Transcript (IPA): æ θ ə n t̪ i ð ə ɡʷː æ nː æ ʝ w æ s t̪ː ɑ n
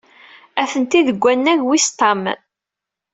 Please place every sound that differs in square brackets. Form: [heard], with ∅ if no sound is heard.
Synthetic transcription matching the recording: æ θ ə n t̪ i ð ə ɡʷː æ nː æ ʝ w [i] s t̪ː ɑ [m]